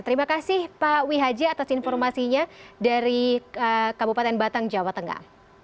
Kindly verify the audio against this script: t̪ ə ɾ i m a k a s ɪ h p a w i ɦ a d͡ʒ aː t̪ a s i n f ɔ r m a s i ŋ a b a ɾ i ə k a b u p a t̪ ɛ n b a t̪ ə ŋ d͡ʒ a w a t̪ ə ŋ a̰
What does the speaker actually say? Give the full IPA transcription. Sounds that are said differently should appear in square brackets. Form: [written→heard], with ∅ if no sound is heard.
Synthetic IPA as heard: t̪ ə ɾ i m a k a s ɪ h p a w i ɦ a d͡ʒ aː t̪ a s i n f ɔ r m a s i [ŋ→ɲ] a [b→d] a ɾ i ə k a b u p a t̪ ɛ n b a t̪ [ə→a] ŋ d͡ʒ a w a t̪ ə ŋ a̰